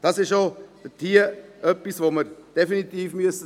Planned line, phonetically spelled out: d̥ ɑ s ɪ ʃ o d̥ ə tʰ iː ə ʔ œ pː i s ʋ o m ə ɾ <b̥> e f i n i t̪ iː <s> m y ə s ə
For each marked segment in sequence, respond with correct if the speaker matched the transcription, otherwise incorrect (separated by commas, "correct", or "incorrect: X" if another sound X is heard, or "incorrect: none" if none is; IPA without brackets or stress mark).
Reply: incorrect: d̥, incorrect: f